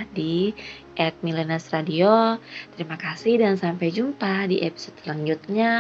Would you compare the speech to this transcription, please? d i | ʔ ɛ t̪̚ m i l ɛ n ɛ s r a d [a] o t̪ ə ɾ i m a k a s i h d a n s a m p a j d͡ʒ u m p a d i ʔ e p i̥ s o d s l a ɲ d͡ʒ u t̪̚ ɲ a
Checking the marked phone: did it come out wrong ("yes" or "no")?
yes